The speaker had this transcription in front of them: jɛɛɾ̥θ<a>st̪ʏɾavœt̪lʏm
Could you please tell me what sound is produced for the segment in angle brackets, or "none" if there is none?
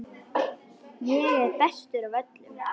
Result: ɛ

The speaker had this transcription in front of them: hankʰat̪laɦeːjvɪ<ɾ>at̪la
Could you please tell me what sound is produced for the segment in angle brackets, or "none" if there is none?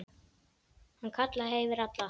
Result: ɾ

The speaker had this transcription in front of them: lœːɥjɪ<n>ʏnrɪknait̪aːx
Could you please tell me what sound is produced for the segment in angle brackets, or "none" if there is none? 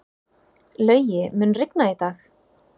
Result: m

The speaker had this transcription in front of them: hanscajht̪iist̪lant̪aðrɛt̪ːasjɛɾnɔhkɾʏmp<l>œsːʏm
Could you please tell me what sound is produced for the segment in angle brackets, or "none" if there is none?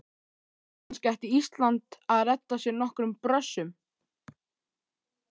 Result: ɾ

